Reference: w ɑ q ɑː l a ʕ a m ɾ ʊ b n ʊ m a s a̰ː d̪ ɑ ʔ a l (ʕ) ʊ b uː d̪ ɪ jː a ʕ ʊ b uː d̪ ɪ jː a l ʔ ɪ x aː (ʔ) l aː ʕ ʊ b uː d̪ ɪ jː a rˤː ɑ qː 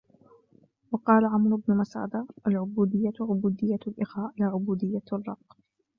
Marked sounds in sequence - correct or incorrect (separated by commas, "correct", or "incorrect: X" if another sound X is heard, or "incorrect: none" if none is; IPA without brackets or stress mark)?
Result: correct, correct